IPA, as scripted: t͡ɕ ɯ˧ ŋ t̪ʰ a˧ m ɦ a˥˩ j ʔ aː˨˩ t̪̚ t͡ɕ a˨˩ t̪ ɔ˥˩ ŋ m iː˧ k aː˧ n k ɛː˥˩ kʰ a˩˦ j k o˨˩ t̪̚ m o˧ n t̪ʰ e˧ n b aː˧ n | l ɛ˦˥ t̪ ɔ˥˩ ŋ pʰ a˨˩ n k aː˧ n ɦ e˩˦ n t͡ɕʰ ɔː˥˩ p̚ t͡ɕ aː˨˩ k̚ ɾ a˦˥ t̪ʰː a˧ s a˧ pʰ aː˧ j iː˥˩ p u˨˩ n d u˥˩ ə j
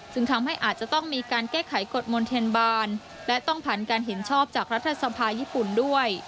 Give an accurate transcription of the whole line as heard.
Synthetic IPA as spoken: t͡ɕ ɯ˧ ŋ t̪ʰ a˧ m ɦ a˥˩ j ʔ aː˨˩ t̪̚ t͡ɕ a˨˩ t̪ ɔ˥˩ ŋ m iː˧ k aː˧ n k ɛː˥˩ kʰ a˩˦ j k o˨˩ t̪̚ m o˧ n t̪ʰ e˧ n b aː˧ n | l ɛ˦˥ t̪ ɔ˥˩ ŋ pʰ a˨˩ n k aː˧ n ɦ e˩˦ n t͡ɕʰ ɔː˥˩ p̚ t͡ɕ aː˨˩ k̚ ɾ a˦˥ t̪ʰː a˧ s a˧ pʰ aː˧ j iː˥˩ p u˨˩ n d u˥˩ ə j